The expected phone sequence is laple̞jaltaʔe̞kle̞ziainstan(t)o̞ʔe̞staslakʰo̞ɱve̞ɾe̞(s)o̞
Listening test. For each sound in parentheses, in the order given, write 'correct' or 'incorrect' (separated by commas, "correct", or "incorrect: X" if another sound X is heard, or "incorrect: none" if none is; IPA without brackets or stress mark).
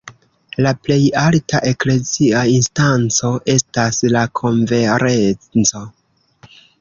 incorrect: t͡s, incorrect: t͡s